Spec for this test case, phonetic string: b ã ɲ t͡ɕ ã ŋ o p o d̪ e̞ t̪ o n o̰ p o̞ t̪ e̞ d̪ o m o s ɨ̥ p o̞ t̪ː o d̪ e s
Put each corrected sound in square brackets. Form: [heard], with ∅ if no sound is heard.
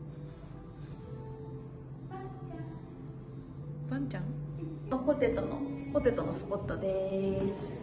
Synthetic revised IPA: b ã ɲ t͡ɕ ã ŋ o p o [t̪] e̞ t̪ o n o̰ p o̞ t̪ e̞ [t̪] o [n] o s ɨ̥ p o̞ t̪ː o d̪ e s